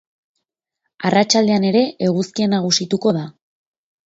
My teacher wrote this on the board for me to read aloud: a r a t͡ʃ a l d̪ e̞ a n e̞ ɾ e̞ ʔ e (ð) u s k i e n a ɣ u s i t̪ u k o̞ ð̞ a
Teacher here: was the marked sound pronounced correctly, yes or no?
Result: no